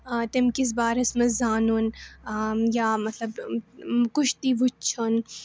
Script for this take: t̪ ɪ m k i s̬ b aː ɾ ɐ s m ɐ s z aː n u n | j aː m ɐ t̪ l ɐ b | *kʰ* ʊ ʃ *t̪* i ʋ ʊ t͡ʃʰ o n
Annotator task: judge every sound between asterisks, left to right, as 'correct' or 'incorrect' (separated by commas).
incorrect, correct